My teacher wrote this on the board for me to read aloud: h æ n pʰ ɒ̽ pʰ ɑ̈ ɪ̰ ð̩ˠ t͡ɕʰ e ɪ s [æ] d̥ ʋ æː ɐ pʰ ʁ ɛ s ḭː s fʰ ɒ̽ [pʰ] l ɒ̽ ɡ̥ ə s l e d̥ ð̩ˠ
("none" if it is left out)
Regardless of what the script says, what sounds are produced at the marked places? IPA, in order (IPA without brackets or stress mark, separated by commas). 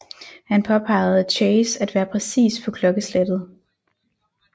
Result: æ, kʰ